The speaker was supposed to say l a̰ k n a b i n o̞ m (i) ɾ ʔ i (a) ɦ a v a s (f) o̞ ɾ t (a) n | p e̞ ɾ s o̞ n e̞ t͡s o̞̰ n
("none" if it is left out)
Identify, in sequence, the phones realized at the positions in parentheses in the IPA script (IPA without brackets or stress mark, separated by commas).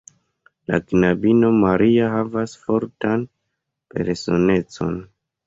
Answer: a, a, f, a